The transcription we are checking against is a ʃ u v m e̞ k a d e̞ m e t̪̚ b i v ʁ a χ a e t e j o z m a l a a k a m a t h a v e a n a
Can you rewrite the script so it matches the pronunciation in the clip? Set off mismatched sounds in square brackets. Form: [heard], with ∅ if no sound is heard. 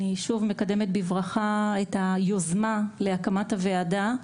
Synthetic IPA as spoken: [i] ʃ u v m e̞ k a d e̞ m e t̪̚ b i v ʁ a χ a e t [a] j o z m a l [e] a k a m a t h a v e a [d] a